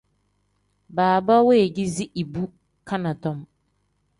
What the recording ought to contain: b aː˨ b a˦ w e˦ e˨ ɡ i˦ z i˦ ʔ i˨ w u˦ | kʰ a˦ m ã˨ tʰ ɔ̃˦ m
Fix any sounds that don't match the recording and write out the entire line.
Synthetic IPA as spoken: b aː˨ b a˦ w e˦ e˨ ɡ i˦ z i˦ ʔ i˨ b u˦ | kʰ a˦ n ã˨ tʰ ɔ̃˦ m